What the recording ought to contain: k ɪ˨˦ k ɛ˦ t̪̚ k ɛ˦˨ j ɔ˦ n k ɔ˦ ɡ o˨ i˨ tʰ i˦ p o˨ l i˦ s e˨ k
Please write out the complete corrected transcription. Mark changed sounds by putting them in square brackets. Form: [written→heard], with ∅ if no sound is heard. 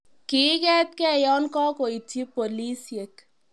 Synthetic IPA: k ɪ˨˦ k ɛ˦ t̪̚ k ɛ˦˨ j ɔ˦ n k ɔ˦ [ɡ→k] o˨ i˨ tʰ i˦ p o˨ l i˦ s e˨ k

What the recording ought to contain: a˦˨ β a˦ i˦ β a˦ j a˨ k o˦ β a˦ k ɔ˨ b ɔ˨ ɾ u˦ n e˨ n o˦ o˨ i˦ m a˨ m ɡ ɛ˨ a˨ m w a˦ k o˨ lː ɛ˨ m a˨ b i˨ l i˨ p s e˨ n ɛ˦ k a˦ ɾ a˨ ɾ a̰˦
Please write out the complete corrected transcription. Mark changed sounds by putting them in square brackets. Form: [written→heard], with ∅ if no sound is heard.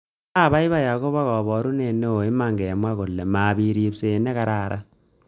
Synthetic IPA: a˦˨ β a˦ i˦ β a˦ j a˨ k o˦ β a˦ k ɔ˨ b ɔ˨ ɾ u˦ n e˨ n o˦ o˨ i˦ m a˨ [m→ŋ] ɡ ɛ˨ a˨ m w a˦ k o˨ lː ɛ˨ m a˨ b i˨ [l→ɾ] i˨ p s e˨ n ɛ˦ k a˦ ɾ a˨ ɾ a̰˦

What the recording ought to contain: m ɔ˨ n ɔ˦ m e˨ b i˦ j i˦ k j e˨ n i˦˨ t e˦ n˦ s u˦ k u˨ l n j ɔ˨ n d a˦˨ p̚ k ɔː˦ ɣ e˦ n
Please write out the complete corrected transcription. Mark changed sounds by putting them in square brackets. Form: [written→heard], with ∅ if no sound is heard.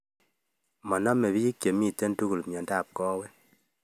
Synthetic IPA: m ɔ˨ n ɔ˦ m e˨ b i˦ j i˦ k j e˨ [n→m] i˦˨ t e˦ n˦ [s→t] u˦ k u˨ l [n→m] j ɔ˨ n d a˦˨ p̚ k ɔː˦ [ɣ→w] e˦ n

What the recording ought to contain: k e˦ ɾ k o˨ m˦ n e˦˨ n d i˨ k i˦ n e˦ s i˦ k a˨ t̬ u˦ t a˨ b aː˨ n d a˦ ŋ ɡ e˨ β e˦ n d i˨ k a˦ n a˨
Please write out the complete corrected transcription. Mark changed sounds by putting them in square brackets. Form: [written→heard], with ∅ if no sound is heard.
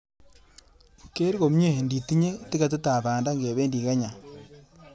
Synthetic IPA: k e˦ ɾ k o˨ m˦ [n→ɲ] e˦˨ n d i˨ [k→t] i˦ [n→ɲ] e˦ [s→t] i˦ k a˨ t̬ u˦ t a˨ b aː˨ n d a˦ ŋ ɡ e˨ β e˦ n d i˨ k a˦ [n→ɲ] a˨

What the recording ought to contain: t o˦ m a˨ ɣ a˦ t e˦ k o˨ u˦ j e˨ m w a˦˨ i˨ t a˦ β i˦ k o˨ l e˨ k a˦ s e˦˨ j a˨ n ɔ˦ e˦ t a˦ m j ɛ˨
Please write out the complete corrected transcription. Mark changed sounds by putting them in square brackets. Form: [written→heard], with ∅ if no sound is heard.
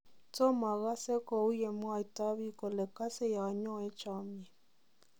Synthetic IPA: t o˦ m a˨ ɣ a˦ [t→s] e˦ k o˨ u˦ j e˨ m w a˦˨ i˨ t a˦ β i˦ k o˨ l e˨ k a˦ s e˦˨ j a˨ [n→ɲ] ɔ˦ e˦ [t→t͡ʃ] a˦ m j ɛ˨

